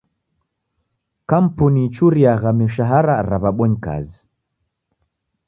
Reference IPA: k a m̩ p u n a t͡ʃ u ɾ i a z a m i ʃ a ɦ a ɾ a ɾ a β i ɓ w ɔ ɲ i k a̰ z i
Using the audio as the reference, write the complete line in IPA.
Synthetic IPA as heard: k a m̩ p u n i t͡ʃ u ɾ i a ɣ a m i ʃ a ɦ a ɾ a ɾ a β a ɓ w ɔ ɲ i k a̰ z i